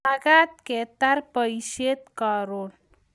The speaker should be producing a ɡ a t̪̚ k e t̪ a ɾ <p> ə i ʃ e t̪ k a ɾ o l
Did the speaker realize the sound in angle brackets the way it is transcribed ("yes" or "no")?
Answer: yes